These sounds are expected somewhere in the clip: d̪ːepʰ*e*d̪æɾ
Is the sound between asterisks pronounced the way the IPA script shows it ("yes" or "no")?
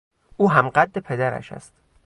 yes